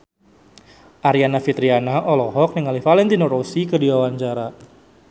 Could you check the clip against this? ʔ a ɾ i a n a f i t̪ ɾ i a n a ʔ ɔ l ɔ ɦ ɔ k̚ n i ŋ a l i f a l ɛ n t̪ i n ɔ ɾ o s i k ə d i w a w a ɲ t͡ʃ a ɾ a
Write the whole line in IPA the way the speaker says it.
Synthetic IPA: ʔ a ɾ i a n a f i t̪ ɾ i a n a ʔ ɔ l ɔ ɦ ɔ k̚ n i ŋ a l i f a l ɛ n t̪ i n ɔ ɾ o s i k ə d i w a w a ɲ t͡ʃ a ɾ a